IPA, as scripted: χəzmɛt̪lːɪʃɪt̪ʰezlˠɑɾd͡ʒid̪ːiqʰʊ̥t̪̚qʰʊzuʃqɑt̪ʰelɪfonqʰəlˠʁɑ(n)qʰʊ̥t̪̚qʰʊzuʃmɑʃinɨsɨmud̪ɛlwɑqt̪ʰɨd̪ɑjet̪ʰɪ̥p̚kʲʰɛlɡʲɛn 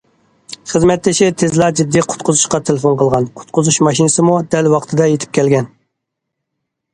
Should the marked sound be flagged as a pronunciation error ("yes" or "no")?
no